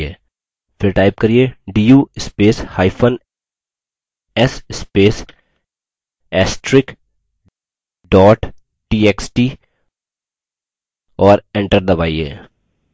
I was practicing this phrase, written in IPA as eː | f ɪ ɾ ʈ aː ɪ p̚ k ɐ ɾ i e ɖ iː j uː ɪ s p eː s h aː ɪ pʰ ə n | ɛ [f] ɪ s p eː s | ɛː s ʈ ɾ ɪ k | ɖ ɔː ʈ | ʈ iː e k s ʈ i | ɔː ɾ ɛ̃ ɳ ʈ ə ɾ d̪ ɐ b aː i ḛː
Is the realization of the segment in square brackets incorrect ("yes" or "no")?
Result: yes